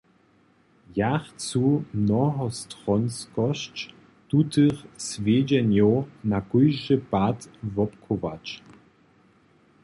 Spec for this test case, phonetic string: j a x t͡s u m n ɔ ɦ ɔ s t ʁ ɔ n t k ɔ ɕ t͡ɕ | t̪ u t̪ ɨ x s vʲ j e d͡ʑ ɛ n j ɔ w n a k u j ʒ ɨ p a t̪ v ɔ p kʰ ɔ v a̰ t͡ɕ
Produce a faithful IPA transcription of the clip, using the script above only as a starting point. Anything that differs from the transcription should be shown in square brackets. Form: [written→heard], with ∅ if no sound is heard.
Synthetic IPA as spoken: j a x t͡s u m n ɔ ɦ ɔ s t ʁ ɔ n [t→s] k ɔ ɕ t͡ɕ | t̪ u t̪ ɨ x s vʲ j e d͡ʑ ɛ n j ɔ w n a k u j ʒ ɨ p a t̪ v ɔ p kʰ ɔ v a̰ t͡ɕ